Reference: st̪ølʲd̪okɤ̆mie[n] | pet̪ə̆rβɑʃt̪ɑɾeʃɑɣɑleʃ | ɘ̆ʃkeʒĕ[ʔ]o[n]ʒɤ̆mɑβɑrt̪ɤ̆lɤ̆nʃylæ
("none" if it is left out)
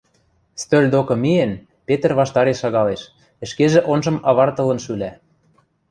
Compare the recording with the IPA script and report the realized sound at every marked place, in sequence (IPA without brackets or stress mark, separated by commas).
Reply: n, ʔ, n